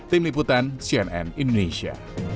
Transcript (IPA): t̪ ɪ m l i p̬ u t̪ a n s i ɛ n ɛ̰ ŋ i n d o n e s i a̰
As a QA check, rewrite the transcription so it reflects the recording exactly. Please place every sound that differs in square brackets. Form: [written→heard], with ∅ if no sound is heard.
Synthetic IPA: t̪ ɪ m l i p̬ u t̪ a n s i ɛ n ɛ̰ [ŋ→n] i n d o n e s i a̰